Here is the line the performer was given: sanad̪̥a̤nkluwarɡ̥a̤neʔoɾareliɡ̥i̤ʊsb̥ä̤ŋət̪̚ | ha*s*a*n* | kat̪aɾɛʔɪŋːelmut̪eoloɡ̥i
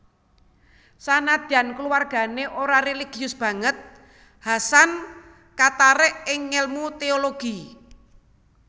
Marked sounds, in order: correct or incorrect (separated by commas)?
correct, correct